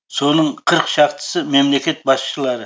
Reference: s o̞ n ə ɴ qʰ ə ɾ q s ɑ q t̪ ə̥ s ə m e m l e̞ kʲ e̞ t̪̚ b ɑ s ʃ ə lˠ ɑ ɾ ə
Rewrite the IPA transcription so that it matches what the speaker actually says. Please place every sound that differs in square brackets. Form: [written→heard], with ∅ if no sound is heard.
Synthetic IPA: s o̞ n ə ɴ qʰ ə ɾ q [s→ʃ] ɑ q t̪ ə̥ s ə m e m l e̞ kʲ e̞ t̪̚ b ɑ s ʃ ə lˠ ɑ ɾ ə